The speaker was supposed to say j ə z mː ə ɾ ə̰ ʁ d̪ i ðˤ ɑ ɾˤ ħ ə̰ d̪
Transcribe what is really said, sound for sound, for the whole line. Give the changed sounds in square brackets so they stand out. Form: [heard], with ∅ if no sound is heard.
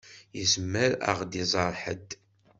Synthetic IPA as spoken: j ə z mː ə ɾ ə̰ ʁ d̪ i [zˤ] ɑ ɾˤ ħ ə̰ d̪